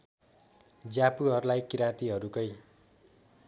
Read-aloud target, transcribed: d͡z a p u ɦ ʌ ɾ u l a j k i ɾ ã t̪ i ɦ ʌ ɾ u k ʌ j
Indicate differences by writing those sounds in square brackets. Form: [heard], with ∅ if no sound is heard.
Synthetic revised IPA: d͡z a p u ɦ ʌ ɾ u l a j k i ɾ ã t̪ i ɦ ʌ ɾ u k ʌ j